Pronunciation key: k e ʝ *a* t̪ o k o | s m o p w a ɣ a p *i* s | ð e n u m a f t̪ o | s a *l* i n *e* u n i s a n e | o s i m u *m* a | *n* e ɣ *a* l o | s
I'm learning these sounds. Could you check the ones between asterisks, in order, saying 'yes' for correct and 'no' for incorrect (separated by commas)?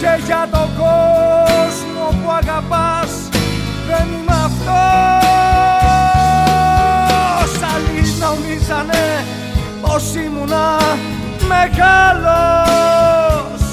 yes, no, yes, no, no, no, yes